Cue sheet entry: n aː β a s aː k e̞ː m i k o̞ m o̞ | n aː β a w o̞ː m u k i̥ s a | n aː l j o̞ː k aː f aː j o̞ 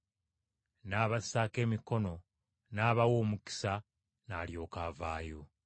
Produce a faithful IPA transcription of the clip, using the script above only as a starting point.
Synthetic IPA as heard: n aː β a s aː k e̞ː m i k o̞ n o̞ | n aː β a w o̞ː m u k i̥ s a | n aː l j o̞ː k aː v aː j o̞

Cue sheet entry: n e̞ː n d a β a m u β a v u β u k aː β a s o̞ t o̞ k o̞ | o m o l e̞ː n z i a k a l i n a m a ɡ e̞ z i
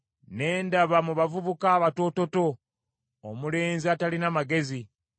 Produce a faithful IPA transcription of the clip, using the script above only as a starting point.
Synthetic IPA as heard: n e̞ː n d a β a m u β a v u β u k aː β a t o̞ t o̞ t o̞ | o m u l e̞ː n z i a t a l i n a m a ɡ e̞ z i

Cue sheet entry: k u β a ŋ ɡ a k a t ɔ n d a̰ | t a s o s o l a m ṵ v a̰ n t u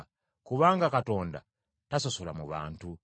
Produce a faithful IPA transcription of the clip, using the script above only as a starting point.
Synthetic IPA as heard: k u β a ŋ ɡ a k a t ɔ n d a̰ | t a s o s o l a m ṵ β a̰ n t u

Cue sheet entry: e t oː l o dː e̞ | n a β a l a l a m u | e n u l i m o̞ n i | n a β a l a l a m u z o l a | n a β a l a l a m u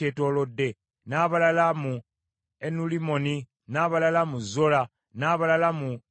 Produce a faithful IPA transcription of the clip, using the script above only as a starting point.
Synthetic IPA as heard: e t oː l o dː e̞ | n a β a l a l a m u | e n u l i m o̞ n i | n a β a l a l a m u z o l a | n a β a l a l a m u

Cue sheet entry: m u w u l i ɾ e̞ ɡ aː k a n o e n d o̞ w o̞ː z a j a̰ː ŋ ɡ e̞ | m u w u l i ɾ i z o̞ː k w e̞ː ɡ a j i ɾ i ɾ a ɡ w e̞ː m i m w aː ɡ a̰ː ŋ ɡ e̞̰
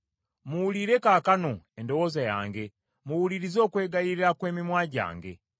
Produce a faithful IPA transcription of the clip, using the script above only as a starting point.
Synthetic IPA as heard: m u w u l i ɾ e̞ k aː k a n o e n d o̞ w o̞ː z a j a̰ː ŋ ɡ e̞ | m u w u l i ɾ i z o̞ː k w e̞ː ɡ a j i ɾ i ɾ a k w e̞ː m i m w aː ɟ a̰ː ŋ ɡ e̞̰

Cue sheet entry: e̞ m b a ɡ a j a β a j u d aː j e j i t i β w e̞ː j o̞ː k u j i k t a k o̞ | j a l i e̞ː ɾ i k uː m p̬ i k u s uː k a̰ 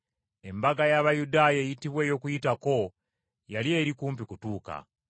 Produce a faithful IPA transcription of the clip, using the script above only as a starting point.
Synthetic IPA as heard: e̞ m b a ɡ a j a β a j u d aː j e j i t i β w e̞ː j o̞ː k u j i t a k o̞ | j a l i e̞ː ɾ i k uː m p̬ i k u t uː k a̰

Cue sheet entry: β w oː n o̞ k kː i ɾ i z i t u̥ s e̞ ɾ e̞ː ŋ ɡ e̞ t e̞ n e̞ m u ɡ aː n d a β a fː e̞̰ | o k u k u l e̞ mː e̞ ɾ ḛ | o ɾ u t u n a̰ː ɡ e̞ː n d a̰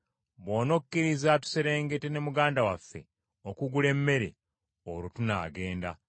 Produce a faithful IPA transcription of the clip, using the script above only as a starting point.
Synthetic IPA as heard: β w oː n o̞ k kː i ɾ i z a t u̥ s e̞ ɾ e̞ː ŋ ɡ e̞ t e̞ n e̞ m u ɡ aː n d a w a fː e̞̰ | o k u ɡ u l e̞ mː e̞ ɾ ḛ | o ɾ u t u n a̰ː ɡ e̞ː n d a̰

